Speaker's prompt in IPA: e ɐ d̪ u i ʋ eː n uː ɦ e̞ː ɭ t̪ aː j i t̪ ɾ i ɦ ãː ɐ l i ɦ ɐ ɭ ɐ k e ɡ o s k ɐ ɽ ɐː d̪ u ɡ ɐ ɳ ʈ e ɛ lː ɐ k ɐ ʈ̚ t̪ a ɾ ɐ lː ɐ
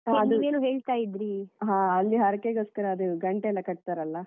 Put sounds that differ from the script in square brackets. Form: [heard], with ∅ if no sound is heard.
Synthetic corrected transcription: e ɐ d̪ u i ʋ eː n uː ɦ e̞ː ɭ t̪ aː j i [d̪] ɾ i ɦ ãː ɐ [lː] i ɦ ɐ [ɾ] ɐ k e ɡ o s k ɐ [ɾ] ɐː d̪ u ɡ ɐ ɳ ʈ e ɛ lː ɐ k ɐ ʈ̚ t̪ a ɾ ɐ lː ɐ

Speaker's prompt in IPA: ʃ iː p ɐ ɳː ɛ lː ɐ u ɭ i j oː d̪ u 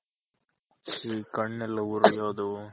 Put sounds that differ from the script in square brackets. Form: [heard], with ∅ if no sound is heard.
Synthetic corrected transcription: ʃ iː [k] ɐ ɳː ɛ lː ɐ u [ɾ] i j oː d̪ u

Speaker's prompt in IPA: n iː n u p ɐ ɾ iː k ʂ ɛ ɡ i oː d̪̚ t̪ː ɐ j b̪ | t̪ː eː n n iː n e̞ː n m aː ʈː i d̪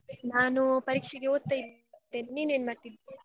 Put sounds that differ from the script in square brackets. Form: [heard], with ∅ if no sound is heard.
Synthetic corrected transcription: n [aː] n u p ɐ ɾ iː k ʂ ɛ ɡ [e] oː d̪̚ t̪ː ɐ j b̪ | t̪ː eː n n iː n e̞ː n m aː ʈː i d̪

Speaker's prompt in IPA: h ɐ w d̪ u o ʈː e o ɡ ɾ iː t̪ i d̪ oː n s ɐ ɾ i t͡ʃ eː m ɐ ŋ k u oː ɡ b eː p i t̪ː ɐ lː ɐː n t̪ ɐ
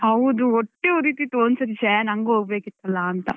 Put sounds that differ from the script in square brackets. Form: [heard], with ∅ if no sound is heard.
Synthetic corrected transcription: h ɐ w d̪ u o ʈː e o [∅] ɾ iː t̪ i [t̪] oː n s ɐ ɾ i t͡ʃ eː [n] ɐ ŋ [ɡ] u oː ɡ b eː [k] i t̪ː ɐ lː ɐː n t̪ ɐ

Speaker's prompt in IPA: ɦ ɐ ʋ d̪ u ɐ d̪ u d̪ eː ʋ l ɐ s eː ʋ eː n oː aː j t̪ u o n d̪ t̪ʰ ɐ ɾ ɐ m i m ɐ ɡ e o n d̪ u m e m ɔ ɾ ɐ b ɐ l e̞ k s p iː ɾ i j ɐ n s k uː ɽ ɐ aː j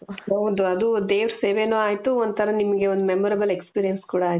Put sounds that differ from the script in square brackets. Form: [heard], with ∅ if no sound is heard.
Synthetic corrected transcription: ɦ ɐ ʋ d̪ u ɐ d̪ u d̪ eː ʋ [ɾ] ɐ s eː ʋ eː n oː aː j t̪ u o n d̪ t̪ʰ ɐ ɾ ɐ [n] i m ɐ ɡ e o n d̪ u m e m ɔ ɾ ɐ b ɐ l e̞ k s p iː ɾ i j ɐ n s k uː ɽ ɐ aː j

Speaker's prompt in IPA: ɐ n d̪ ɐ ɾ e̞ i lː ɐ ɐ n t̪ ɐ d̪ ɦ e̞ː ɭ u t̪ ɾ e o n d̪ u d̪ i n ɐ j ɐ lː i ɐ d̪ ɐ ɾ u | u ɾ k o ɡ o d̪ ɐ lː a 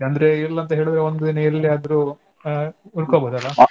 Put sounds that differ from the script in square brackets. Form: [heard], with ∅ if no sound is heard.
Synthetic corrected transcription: ɐ n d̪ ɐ ɾ e̞ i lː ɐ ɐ n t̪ ɐ [∅] ɦ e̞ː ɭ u [d̪] ɾ e o n d̪ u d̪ i n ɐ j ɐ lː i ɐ d̪ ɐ ɾ u | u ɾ k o [b] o d̪ ɐ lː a

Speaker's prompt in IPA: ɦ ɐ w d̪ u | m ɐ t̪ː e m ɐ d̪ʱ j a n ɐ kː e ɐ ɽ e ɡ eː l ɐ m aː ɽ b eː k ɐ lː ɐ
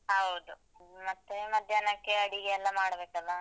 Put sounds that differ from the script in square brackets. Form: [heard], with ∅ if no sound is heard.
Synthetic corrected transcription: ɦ ɐ w d̪ u | m ɐ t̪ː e m ɐ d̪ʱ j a n ɐ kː e ɐ ɽ [i] ɡ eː [lː] ɐ m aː ɽ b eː k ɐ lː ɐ

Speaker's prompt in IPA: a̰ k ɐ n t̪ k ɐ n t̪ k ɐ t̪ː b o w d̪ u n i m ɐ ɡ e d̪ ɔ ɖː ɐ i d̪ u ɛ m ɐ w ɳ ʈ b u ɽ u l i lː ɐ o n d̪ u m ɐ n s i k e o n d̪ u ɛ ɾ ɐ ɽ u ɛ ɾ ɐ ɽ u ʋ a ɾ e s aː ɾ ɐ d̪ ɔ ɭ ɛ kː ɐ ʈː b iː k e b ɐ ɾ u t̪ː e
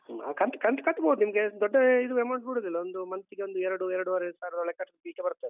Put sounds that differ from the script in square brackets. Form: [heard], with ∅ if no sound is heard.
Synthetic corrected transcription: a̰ k ɐ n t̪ k ɐ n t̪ k ɐ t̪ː b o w d̪ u n i m ɐ ɡ e d̪ ɔ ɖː ɐ i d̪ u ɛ m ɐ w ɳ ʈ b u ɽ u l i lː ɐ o n d̪ u m ɐ n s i [ɡ] e o n d̪ u ɛ ɾ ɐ ɽ u ɛ ɾ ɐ ɽ u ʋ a ɾ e s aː ɾ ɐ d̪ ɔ ɭ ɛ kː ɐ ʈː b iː k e b ɐ ɾ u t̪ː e

